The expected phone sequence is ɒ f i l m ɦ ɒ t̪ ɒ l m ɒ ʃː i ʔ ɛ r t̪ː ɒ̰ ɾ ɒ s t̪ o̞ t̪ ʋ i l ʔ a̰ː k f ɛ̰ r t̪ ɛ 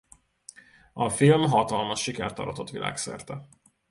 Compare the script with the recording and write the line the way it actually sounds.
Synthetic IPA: ɒ f i l m ɦ ɒ t̪ ɒ l m ɒ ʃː i k ɛ r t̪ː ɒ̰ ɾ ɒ t̪ o̞ t̪ ʋ i l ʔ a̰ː k s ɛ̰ r t̪ ɛ